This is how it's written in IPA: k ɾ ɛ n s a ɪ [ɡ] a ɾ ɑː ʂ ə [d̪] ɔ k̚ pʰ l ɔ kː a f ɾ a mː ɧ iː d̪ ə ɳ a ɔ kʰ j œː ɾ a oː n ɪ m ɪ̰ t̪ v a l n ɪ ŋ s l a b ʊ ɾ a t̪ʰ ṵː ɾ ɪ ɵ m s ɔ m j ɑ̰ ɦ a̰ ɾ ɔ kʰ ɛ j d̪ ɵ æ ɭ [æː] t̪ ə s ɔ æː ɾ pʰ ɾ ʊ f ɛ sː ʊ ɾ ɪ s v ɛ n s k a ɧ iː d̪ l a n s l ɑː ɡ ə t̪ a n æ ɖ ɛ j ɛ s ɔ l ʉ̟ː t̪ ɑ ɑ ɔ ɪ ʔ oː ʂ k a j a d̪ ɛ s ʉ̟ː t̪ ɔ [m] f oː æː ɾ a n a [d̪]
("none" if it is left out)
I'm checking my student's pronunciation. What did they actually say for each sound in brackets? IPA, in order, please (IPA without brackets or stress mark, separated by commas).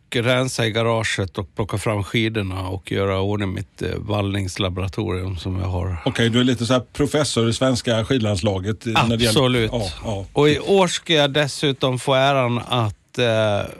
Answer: ɡ, t̪, iː, m, t̪